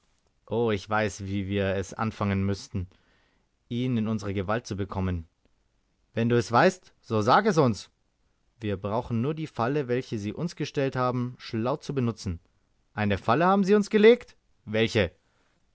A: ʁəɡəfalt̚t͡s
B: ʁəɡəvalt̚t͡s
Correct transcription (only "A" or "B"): B